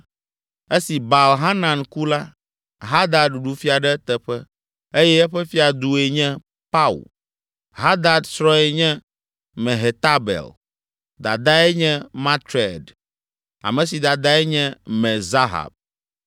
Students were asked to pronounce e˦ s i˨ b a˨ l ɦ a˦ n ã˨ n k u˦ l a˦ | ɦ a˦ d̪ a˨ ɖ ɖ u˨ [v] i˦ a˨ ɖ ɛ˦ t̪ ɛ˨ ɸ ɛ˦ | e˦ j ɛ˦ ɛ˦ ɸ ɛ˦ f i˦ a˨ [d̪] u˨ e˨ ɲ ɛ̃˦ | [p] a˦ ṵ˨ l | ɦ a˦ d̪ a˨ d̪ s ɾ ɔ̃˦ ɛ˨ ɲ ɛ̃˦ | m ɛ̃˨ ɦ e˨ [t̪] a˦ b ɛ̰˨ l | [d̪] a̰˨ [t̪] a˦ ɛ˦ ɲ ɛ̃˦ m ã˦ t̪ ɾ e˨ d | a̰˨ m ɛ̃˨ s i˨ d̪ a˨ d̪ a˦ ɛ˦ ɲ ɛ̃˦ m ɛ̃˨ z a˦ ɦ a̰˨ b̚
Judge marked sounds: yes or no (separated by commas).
no, yes, yes, yes, yes, no